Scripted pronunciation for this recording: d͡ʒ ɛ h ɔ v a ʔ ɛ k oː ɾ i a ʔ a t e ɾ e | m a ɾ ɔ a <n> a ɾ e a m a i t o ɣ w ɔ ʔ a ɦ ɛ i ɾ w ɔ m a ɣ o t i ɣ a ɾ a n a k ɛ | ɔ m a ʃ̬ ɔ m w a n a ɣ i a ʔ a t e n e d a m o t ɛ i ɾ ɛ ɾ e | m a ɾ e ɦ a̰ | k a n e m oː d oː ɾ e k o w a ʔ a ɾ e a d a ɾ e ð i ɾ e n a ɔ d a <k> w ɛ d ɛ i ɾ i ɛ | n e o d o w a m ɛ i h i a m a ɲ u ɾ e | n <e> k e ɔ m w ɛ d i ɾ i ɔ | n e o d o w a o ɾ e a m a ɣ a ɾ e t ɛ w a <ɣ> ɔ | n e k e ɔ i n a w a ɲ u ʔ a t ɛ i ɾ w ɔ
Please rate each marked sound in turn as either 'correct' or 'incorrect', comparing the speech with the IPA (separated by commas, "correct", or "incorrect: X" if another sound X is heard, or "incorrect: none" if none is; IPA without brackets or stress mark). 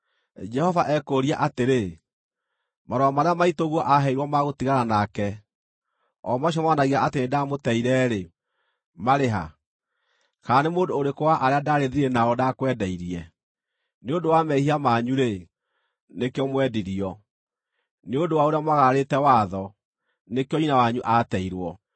incorrect: m, correct, correct, incorrect: ð